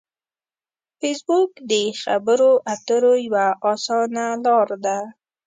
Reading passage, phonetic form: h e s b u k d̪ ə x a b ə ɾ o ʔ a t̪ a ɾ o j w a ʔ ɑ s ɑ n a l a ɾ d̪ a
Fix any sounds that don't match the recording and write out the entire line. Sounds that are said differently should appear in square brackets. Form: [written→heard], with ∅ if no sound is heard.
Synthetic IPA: [h→f] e s b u k d̪ ə x a b ə ɾ o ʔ a t̪ [a→ə] ɾ o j w a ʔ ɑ s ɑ n a l [a→ɑ] ɾ d̪ a